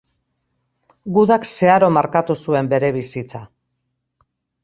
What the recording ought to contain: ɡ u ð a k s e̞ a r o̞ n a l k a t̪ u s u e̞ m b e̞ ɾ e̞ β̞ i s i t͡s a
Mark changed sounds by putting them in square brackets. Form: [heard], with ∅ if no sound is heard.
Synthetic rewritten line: ɡ u ð a k s e̞ a [ɾ] o̞ [m] a [ɾ] k a t̪ u s u e̞ m b e̞ ɾ e̞ β̞ i s i t͡s a